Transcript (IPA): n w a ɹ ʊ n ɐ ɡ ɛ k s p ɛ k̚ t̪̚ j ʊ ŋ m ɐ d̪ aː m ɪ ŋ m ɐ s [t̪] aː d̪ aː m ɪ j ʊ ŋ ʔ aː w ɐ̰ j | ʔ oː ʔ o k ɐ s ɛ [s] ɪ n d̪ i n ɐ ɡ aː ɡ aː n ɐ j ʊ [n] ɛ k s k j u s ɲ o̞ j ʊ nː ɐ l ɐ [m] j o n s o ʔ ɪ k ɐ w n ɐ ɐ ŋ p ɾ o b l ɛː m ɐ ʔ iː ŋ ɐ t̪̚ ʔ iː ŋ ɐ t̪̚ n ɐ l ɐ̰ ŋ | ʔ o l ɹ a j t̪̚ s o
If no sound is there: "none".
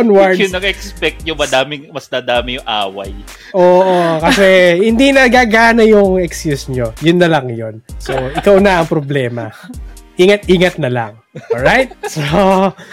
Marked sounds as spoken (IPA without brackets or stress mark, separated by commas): d̪, h, ŋ, ŋ